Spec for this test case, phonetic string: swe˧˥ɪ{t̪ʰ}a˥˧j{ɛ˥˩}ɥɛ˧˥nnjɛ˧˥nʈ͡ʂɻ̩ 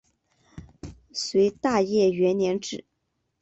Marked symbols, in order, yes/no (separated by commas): no, yes